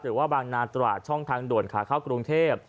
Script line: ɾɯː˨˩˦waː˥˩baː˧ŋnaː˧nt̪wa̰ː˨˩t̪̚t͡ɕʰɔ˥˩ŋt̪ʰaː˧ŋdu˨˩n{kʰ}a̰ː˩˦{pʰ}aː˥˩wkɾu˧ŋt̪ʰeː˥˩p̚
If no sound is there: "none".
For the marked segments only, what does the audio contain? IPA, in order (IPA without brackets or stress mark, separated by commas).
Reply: kʰ, kʰ